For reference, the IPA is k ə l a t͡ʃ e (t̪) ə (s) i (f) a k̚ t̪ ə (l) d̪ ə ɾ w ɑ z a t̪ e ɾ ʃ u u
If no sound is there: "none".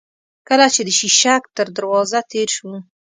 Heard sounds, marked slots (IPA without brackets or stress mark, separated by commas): d̪, ʃ, ʃ, ɾ